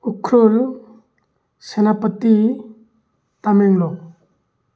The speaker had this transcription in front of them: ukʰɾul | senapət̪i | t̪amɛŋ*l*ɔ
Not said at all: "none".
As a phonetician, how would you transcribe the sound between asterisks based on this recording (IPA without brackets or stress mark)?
l